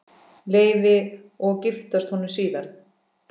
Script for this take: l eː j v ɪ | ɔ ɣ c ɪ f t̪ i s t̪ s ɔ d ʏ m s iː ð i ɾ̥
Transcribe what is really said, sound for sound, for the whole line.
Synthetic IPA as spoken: l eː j v ɪ | ɔ ɣ c ɪ f t̪ a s t̪ h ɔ n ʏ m s iː ð a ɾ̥